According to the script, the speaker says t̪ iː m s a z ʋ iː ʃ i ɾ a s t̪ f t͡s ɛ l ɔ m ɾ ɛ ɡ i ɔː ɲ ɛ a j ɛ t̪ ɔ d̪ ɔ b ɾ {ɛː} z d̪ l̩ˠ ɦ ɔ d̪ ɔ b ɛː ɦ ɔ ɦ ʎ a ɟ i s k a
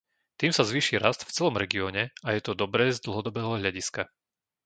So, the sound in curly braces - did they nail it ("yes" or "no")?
yes